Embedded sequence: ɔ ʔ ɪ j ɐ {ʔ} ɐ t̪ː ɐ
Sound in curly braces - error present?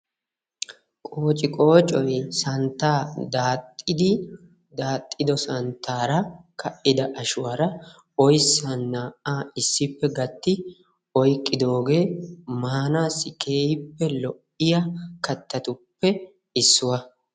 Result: yes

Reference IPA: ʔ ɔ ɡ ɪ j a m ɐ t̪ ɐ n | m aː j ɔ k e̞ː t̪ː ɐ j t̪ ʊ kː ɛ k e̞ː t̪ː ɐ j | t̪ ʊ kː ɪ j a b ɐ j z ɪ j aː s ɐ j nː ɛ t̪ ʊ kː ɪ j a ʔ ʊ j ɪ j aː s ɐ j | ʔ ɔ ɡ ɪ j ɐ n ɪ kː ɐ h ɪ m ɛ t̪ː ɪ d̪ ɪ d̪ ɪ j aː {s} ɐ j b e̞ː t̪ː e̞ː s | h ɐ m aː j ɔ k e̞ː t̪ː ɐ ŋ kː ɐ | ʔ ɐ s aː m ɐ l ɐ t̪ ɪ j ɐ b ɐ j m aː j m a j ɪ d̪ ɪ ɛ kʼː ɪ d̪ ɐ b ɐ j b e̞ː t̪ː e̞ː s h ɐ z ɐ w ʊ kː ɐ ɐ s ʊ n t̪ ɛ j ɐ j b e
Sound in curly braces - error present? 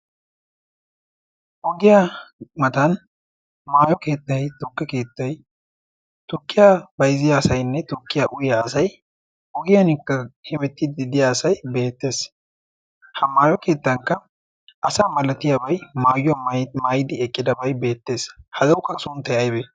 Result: no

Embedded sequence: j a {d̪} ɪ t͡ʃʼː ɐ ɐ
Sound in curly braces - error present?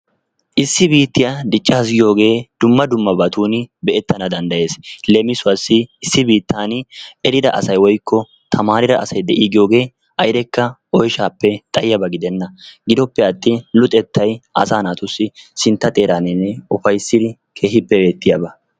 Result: no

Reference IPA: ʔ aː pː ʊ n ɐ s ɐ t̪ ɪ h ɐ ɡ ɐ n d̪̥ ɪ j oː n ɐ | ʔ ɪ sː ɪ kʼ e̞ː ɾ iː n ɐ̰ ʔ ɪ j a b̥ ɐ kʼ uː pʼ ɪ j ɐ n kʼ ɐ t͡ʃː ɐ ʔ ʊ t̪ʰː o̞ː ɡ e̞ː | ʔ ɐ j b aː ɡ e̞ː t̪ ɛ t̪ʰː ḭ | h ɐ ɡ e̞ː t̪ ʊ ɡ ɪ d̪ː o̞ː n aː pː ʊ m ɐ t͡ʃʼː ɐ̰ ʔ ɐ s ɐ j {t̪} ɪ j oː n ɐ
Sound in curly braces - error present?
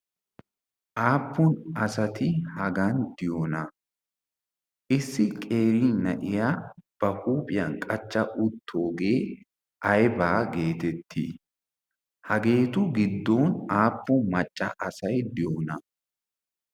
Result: yes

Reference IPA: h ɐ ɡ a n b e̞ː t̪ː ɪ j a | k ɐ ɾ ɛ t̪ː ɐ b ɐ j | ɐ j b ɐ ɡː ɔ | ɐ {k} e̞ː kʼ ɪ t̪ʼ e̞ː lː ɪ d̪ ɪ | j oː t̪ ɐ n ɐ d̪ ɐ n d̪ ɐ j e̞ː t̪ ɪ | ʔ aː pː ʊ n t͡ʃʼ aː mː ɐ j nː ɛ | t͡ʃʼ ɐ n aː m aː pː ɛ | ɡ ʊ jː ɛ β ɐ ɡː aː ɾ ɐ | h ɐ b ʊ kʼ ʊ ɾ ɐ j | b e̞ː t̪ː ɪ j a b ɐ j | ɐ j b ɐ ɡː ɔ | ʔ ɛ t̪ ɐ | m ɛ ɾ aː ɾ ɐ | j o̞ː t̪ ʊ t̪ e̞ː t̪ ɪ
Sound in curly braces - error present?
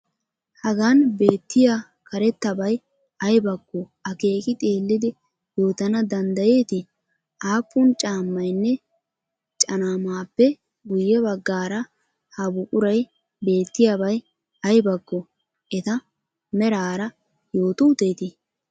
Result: no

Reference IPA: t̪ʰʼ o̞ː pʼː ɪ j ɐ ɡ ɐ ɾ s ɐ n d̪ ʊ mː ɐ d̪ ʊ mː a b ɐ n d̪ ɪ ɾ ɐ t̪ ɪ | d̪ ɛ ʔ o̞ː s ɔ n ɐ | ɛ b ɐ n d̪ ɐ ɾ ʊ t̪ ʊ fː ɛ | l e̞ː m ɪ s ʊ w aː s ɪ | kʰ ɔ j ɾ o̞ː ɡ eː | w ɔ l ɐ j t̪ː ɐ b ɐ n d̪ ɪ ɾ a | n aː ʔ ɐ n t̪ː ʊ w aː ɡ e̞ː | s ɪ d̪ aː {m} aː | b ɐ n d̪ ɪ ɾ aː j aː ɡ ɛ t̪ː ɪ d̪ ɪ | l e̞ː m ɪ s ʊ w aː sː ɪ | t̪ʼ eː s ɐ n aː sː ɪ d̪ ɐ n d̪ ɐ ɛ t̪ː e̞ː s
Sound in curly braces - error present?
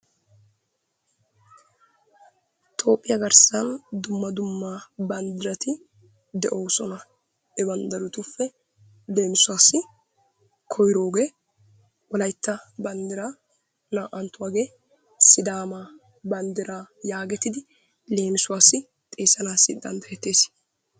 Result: no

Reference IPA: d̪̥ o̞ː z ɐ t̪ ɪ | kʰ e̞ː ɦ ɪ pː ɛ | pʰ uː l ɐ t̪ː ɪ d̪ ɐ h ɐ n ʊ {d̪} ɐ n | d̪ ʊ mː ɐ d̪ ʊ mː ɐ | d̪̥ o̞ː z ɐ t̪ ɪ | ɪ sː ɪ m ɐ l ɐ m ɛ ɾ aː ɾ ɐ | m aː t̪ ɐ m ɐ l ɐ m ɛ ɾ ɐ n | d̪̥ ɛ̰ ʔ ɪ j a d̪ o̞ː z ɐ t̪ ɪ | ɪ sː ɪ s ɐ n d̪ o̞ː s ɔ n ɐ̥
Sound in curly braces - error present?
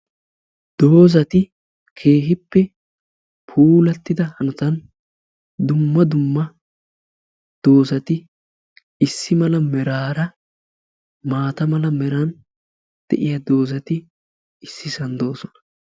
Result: yes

